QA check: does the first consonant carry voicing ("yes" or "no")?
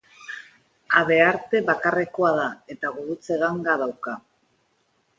yes